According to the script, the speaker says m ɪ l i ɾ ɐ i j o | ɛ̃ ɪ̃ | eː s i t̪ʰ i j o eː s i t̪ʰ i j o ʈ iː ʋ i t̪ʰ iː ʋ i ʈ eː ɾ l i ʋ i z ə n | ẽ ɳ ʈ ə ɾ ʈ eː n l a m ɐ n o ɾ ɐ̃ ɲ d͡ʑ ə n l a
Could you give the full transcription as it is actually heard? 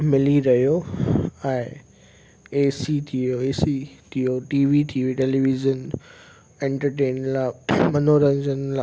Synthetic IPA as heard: m ɪ l i ɾ ɐ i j o | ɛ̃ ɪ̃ | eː s i t̪ʰ i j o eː s i t̪ʰ i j o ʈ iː ʋ i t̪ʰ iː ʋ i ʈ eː l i ʋ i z ə n | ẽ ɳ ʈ ə ɾ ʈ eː n l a m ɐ n o ɾ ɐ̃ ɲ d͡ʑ ə n l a